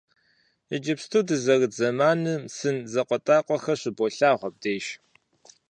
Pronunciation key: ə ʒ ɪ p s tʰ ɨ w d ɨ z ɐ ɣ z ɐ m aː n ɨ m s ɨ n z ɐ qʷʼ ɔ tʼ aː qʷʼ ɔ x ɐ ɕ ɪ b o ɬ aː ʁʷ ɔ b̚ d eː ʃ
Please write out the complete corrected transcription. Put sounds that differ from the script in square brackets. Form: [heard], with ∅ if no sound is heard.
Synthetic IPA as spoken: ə [d͡ʒ] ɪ p s tʰ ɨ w d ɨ z ɐ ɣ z ɐ m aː n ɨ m s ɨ n z ɐ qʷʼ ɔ tʼ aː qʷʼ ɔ x ɐ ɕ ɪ b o ɬ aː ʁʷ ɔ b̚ d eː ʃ